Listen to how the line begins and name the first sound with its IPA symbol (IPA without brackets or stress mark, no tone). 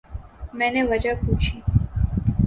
m